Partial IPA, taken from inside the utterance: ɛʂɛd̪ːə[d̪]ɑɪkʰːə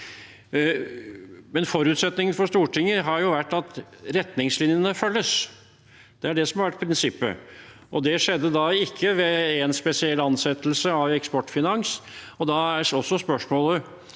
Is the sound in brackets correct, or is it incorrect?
correct